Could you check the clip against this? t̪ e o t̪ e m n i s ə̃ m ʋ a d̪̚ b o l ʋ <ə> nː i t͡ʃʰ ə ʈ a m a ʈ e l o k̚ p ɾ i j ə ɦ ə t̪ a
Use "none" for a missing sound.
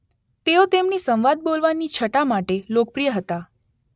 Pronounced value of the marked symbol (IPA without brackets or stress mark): a